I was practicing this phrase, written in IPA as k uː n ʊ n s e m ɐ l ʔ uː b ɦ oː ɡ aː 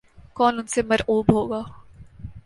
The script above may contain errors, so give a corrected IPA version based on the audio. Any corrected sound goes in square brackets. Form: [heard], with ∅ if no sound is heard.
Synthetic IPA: k [ɔː] n ʊ n s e m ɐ [ɾ] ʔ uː b ɦ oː ɡ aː